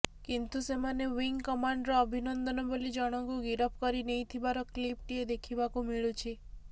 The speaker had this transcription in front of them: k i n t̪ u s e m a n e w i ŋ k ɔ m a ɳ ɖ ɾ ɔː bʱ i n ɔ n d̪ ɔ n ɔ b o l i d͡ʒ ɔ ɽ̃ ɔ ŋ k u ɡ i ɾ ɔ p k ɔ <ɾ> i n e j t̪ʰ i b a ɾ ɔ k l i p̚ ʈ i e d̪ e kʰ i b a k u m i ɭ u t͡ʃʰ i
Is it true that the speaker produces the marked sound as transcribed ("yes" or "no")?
yes